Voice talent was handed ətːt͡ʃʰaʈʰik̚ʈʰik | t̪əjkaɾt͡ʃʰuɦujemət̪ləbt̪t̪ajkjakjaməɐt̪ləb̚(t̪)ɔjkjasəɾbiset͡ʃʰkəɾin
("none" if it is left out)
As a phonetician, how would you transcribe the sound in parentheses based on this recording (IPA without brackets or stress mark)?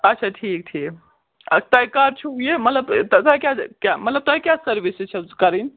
t̪